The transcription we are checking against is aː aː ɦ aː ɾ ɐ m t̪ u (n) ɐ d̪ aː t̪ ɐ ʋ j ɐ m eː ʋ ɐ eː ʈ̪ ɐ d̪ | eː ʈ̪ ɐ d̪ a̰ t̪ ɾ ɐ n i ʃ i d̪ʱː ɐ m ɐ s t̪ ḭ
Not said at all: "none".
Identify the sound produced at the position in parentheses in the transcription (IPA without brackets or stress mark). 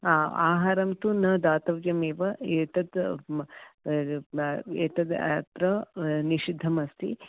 n